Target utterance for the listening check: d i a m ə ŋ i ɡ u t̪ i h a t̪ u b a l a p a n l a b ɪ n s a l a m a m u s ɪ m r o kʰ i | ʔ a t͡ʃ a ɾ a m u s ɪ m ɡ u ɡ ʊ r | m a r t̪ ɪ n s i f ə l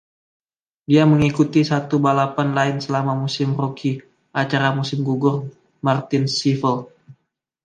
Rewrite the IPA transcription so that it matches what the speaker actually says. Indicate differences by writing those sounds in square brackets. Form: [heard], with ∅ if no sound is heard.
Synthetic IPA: d i a m ə ŋ i [k] u t̪ i [s] a t̪ u b a l a p a n l a [∅] ɪ n s [ə] l a m a m u s ɪ m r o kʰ i | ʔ a t͡ʃ a ɾ a m u s ɪ m ɡ u ɡ ʊ r | m a r t̪ ɪ n s i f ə l